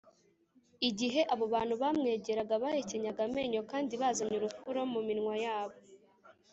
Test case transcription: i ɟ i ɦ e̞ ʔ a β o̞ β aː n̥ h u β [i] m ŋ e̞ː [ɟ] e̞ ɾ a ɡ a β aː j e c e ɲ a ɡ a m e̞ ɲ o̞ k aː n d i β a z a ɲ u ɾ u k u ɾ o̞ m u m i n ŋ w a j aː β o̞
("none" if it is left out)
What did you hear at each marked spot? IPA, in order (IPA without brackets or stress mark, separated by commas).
a, ɟ